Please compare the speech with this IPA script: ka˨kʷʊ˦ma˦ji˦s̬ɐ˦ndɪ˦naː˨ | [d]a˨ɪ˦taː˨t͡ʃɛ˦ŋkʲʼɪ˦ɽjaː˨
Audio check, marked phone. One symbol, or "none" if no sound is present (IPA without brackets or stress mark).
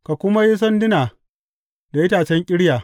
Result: d